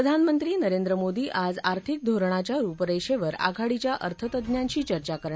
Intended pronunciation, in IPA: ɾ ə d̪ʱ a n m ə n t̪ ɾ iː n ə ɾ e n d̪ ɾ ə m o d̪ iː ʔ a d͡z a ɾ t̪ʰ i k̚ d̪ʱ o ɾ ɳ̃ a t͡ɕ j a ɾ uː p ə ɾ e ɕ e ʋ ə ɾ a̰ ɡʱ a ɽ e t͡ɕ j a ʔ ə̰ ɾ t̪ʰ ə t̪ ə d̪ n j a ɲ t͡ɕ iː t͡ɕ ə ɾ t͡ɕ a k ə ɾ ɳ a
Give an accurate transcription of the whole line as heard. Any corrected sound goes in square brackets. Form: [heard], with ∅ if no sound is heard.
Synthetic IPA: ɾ ə d̪ʱ a n m ə n t̪ ɾ iː n ə ɾ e n d̪ ɾ ə m o d̪ iː ʔ a d͡z a ɾ t̪ʰ i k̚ d̪ʱ o ɾ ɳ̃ a t͡ɕ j a ɾ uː p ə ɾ e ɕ e ʋ ə ɾ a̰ ɡʱ a ɽ [i] t͡ɕ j a ʔ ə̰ ɾ t̪ʰ ə t̪ ə d̪ n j a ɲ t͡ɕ iː t͡ɕ ə ɾ t͡ɕ a k ə ɾ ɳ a